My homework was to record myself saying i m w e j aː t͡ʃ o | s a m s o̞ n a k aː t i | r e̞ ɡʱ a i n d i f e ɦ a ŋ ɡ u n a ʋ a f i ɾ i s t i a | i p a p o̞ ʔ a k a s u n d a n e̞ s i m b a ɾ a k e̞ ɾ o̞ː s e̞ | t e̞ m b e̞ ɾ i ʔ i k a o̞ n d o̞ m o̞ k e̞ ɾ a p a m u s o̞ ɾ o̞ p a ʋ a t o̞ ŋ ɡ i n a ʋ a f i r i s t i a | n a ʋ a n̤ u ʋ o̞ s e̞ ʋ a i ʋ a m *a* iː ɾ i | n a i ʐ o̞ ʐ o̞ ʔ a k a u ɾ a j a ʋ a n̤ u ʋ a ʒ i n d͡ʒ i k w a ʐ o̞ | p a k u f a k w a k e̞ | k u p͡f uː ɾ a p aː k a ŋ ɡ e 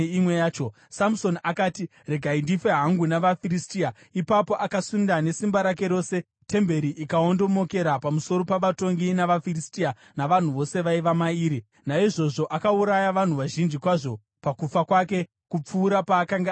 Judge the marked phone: correct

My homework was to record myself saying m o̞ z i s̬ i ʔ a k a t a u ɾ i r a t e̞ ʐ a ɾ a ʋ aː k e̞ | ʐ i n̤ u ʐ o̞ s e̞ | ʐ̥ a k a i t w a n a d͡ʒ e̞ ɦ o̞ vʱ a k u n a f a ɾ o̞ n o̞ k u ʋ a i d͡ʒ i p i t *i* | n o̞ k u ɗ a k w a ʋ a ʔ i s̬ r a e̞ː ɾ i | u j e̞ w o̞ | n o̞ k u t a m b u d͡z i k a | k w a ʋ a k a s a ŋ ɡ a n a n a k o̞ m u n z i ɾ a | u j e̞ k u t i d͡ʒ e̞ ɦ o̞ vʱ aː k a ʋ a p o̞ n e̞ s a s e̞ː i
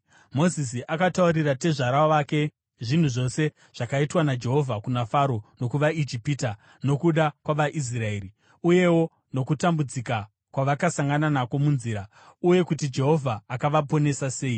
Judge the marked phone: incorrect: a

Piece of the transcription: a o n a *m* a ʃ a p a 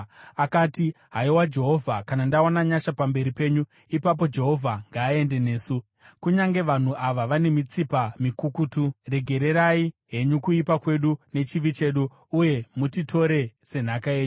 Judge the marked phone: incorrect: ɲ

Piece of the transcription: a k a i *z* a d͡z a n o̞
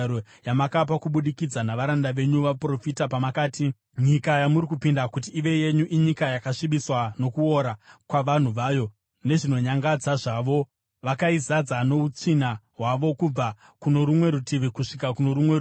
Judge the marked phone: correct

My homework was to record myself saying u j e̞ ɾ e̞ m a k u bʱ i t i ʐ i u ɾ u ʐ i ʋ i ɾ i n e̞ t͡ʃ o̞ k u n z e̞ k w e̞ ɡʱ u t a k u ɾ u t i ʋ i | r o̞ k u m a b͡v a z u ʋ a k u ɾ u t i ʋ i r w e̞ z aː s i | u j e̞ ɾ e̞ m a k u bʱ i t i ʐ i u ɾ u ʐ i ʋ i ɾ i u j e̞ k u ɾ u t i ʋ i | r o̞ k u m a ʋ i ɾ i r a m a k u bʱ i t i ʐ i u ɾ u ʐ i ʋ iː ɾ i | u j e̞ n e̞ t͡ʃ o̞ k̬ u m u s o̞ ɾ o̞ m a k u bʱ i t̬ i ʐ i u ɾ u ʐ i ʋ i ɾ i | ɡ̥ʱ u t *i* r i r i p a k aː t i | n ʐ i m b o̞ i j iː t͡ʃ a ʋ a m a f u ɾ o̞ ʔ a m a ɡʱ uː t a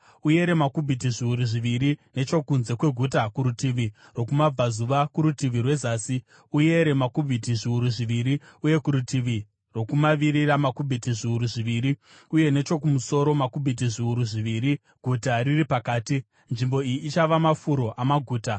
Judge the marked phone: incorrect: a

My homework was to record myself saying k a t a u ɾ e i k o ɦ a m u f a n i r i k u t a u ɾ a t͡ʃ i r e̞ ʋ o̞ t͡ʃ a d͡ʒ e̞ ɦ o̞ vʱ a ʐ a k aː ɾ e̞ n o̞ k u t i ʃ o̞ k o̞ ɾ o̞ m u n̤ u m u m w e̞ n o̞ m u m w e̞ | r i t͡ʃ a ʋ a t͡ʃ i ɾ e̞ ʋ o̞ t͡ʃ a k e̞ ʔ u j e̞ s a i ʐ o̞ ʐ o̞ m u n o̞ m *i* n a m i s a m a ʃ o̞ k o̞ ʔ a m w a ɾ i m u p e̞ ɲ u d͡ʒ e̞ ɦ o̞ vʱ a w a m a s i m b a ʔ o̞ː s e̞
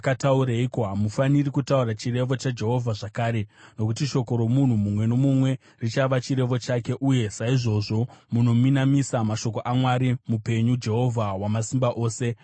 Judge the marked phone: correct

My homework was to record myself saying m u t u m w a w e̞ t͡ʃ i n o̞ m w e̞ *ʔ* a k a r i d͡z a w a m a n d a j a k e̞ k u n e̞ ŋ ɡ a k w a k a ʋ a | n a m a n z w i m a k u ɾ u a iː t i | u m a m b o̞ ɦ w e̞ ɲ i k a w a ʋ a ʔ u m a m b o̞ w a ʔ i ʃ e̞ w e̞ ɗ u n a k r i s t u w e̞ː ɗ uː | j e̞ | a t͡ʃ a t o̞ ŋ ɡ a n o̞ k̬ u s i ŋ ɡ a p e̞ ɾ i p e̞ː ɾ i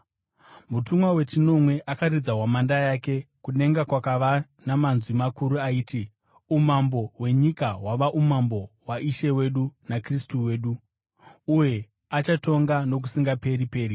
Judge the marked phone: correct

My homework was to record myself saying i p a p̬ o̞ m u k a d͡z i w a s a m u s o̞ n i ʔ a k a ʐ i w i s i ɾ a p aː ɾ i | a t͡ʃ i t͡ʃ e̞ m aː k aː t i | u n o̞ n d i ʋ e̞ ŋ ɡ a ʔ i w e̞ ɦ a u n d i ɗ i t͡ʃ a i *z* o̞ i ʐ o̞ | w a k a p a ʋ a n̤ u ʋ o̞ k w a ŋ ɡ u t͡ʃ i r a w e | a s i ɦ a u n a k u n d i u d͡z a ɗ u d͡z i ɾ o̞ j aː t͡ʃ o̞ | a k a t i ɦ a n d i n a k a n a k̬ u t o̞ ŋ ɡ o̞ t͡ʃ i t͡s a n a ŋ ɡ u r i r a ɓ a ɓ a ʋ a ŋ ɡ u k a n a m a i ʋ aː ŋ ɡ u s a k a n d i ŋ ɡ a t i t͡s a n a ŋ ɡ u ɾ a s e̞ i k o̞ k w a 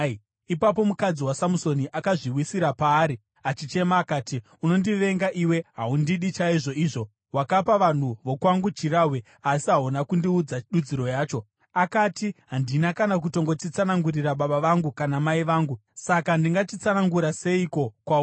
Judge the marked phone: incorrect: ʐ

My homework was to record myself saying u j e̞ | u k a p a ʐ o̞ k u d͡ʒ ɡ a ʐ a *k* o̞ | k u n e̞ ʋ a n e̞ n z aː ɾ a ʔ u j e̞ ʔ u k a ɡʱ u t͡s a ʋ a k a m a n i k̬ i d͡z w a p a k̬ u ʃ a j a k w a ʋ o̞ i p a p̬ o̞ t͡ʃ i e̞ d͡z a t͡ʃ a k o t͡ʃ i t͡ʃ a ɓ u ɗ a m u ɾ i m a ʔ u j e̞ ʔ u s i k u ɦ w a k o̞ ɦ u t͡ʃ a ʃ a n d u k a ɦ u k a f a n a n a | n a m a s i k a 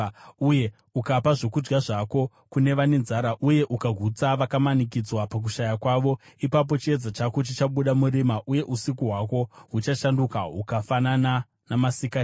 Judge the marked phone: correct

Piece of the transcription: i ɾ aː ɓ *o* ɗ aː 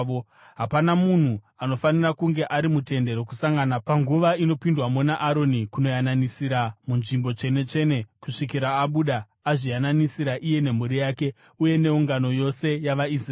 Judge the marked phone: incorrect: u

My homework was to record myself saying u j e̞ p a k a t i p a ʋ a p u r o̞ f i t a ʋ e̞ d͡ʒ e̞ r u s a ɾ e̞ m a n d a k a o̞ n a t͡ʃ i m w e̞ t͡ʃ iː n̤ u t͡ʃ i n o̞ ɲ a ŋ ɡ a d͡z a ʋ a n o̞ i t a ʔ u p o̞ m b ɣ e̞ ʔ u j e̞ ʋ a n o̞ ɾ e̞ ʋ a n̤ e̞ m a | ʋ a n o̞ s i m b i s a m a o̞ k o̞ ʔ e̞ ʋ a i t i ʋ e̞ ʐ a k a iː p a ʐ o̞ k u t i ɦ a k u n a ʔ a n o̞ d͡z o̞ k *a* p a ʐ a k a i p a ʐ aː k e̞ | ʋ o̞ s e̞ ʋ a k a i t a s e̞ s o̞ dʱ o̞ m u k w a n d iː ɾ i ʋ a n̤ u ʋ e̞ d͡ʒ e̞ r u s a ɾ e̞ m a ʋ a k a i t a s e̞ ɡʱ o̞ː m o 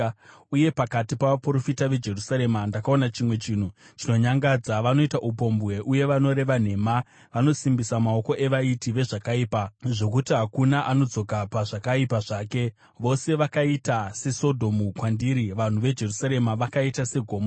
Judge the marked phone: correct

